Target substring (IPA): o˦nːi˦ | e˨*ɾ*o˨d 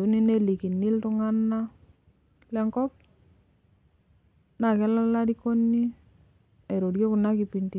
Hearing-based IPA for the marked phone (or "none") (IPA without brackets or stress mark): ɾ